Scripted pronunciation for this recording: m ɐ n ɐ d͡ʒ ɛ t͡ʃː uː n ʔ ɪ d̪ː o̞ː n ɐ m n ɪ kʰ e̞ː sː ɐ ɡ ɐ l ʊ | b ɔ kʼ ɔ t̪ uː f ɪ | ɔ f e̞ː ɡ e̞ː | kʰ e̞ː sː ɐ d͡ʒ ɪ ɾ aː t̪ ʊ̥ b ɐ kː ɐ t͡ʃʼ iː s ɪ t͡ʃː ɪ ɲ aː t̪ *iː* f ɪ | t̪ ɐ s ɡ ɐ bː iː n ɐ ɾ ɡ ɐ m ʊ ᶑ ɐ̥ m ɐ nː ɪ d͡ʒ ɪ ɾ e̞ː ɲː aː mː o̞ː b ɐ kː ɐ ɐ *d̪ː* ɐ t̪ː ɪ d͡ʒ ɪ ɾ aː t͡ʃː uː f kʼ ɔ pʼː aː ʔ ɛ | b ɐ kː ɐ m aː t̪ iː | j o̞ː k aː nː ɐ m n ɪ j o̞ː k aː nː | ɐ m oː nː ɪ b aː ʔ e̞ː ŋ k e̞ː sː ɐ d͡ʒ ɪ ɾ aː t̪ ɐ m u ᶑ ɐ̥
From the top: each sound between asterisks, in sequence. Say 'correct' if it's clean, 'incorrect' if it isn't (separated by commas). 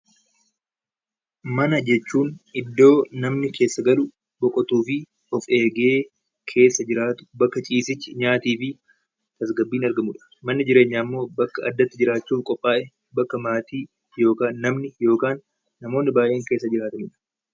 correct, correct